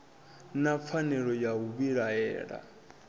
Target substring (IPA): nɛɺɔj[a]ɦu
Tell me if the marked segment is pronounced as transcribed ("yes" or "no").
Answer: yes